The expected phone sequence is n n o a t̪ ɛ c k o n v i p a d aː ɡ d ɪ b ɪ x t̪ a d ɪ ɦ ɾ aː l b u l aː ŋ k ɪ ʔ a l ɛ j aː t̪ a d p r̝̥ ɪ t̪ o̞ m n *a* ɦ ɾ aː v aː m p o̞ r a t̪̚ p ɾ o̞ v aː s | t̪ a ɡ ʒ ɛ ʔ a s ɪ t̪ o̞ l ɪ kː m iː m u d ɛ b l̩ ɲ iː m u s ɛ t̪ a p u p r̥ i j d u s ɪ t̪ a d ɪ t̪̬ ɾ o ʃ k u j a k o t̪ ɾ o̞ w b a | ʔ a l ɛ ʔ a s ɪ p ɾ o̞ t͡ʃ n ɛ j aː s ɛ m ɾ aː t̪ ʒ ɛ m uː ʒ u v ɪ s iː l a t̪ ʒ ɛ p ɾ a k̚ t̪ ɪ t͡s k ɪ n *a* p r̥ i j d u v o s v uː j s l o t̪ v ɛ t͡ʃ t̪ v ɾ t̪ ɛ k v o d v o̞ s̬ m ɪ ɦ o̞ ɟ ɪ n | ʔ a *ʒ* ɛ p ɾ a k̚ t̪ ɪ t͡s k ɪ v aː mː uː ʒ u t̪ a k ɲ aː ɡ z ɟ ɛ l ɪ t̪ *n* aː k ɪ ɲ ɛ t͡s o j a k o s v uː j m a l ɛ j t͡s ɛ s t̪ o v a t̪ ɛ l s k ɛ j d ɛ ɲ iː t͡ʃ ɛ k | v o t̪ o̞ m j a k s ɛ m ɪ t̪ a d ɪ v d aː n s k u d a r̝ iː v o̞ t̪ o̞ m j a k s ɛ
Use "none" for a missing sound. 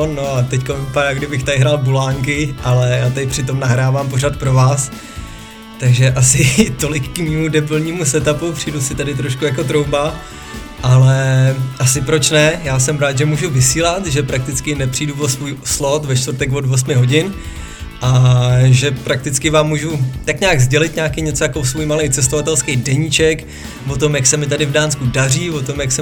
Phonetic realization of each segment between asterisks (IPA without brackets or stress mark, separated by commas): a, ɛ, ʒ, ɲ